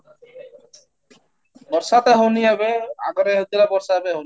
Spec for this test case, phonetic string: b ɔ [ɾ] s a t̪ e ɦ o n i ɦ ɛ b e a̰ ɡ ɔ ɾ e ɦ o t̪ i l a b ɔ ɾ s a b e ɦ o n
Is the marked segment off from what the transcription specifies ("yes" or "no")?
no